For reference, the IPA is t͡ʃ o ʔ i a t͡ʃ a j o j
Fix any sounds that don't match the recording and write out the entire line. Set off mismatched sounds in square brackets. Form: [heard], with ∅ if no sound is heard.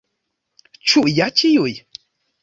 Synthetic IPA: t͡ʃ [u] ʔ [j] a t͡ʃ [i] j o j